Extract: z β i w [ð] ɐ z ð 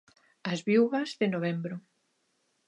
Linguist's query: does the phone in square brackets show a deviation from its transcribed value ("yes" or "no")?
yes